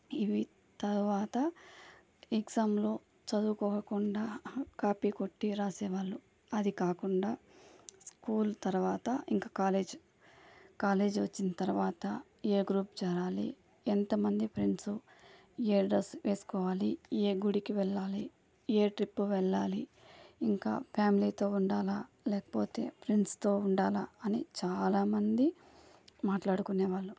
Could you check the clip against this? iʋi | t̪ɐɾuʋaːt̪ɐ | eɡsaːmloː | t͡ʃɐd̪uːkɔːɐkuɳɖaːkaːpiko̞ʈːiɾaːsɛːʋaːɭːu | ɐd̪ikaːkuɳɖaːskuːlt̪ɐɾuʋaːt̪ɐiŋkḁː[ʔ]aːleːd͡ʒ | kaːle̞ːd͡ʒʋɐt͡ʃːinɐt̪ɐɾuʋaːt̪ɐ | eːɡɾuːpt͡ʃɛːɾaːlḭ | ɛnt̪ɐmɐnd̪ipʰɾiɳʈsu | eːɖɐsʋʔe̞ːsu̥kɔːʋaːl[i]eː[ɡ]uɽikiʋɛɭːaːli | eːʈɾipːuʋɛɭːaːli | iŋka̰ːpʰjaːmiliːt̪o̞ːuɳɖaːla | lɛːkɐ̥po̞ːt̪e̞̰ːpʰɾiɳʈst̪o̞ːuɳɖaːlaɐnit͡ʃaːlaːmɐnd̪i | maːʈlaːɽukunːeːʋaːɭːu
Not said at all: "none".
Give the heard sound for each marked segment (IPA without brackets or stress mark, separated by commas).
k, i, ɡ